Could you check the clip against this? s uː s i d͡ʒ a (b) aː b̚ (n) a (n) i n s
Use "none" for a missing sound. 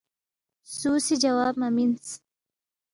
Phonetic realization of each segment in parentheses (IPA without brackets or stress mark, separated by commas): w, m, m